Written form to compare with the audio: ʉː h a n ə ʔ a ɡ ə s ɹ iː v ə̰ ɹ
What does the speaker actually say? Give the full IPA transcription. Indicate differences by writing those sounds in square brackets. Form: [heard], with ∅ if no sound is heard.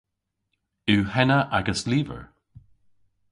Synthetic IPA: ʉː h [ɛ] n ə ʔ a ɡ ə s [l] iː v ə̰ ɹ